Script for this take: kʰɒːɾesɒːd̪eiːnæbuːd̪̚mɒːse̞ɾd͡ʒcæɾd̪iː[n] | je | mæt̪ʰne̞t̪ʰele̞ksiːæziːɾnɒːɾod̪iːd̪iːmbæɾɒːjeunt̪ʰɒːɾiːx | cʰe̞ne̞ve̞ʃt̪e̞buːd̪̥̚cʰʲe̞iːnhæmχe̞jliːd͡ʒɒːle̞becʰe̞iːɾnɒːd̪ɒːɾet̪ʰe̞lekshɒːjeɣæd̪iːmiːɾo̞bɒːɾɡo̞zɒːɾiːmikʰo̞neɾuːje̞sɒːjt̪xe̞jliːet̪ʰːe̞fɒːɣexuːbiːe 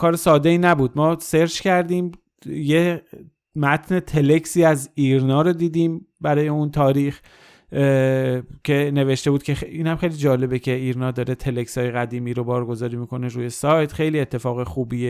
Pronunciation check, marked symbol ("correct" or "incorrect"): incorrect